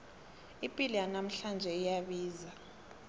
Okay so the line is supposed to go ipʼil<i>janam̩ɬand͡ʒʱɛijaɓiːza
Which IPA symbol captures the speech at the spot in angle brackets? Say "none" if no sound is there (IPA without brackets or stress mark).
i